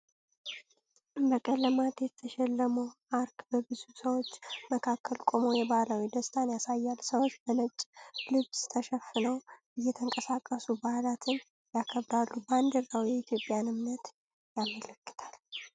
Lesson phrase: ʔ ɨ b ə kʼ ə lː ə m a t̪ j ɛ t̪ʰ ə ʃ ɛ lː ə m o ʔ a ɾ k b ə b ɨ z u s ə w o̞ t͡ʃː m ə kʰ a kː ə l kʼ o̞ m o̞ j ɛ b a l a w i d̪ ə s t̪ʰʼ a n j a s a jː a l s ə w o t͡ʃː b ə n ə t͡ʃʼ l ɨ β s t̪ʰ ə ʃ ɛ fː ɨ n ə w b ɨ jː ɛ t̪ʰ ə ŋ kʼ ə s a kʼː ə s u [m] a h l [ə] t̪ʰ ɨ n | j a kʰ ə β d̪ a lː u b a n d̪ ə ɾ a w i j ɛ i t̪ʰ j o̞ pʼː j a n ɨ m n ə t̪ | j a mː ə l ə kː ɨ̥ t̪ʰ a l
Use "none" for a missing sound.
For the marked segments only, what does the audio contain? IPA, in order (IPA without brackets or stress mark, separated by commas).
b, a